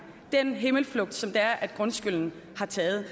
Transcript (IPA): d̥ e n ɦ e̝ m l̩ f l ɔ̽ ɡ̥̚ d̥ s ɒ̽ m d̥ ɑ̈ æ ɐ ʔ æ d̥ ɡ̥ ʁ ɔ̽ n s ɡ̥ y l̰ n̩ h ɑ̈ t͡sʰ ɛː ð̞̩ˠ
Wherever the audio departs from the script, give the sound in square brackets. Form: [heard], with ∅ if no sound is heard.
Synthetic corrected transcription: d̥ e n ɦ e̝ m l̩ f l ɔ̽ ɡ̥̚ d̥ s ɒ̽ m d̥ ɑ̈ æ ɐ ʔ æ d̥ ɡ̥ ʁ ɔ̽ n s ɡ̥ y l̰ n̩ h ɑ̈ t͡sʰ ɛː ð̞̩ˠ